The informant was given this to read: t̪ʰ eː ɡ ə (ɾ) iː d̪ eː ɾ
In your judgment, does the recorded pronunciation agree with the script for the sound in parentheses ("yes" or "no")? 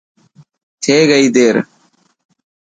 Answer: no